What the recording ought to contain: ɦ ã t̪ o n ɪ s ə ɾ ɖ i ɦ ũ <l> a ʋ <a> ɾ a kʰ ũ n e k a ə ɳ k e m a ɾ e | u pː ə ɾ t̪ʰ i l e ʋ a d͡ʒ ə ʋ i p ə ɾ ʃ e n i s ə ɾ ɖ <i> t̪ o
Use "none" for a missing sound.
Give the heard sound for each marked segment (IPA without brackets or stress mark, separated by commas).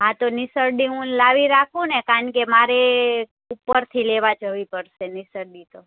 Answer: l, i, i